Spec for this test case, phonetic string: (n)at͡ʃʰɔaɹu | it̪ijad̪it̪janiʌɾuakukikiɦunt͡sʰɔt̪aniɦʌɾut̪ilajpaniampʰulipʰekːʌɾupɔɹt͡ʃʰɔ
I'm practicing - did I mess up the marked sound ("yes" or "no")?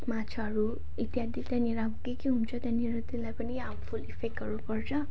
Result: yes